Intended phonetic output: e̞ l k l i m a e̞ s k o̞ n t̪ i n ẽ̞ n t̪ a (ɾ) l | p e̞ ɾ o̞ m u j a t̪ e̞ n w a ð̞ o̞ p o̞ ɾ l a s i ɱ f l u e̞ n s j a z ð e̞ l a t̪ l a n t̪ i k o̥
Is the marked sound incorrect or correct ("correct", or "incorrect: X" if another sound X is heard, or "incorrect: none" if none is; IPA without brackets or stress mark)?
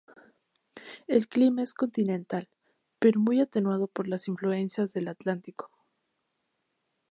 incorrect: none